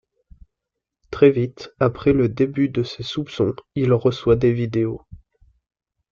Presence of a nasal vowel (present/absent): present